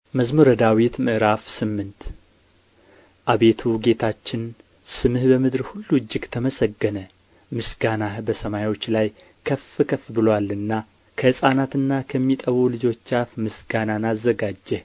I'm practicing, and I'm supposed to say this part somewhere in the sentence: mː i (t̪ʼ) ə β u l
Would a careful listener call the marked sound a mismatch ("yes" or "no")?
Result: no